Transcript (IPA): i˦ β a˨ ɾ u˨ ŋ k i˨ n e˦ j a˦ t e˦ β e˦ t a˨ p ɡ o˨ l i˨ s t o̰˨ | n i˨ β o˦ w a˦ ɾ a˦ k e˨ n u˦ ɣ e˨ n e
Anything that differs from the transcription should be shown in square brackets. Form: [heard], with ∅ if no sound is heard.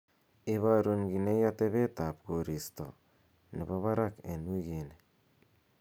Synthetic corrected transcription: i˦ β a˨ ɾ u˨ ŋ [ɡ] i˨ n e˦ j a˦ t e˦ β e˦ t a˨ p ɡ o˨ [ɾ] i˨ s t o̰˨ | n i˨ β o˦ [β] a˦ ɾ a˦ k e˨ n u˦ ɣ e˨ n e